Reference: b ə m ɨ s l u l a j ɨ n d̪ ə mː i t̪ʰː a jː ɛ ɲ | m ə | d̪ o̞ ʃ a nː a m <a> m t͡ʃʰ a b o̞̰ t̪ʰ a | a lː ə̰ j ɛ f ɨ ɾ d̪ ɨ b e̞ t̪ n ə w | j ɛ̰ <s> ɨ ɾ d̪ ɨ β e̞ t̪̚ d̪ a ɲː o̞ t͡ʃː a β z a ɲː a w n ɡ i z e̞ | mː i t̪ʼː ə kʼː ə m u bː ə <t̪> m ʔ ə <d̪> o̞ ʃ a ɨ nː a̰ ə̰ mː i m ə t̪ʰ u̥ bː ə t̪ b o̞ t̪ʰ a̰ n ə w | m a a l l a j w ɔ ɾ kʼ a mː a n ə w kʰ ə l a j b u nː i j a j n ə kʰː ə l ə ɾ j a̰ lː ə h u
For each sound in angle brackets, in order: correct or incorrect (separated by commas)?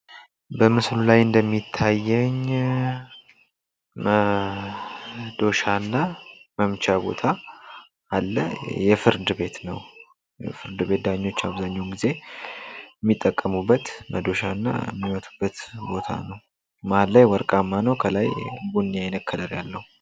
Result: incorrect, incorrect, correct, correct